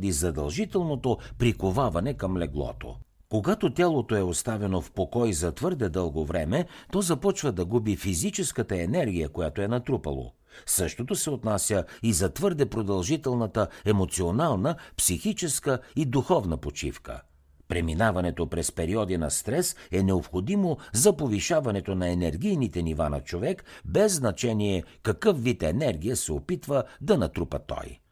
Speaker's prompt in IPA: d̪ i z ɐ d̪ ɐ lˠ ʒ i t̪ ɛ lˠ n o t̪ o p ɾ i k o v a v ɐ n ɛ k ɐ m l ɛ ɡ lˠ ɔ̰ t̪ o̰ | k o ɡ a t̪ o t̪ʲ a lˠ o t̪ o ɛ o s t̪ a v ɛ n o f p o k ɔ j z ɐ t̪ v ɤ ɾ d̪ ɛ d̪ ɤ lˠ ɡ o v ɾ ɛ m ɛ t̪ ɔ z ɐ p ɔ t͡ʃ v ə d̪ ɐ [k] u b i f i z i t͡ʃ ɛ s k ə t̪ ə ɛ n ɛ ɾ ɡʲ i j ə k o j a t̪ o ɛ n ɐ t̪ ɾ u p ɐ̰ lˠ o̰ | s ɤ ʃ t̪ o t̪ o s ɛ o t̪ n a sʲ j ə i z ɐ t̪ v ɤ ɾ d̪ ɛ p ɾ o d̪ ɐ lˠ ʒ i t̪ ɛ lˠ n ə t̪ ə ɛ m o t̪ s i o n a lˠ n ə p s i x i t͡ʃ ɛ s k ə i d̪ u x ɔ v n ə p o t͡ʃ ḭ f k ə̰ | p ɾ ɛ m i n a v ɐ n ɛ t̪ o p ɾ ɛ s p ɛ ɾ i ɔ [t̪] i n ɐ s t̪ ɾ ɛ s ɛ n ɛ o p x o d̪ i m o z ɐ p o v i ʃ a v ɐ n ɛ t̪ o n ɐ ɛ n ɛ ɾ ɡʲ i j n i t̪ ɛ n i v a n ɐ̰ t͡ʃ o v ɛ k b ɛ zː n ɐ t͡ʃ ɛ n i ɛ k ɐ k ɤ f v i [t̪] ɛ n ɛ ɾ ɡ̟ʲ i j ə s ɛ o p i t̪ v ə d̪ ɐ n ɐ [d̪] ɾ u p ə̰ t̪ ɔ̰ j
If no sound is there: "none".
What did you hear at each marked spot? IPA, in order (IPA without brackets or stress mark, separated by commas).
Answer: ɡ, d̪, t̪, t̪